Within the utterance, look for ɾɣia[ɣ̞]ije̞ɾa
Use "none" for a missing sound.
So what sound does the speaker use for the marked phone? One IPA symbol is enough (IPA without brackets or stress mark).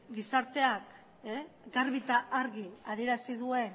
ð̞